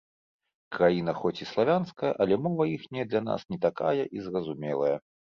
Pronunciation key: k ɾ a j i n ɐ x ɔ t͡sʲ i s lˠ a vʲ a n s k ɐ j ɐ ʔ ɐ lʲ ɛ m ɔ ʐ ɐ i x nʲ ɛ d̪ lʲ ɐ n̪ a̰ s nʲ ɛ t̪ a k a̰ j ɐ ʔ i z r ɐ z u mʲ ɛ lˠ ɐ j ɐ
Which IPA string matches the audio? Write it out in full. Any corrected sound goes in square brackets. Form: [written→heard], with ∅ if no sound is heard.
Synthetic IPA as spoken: k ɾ a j i n ɐ x ɔ t͡sʲ i s lˠ a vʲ a n s k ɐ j ɐ ʔ ɐ lʲ ɛ m ɔ [ʐ→v] ɐ i x nʲ ɛ d̪ lʲ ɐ n̪ a̰ s nʲ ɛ t̪ a k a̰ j ɐ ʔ i z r ɐ z u mʲ ɛ lˠ ɐ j ɐ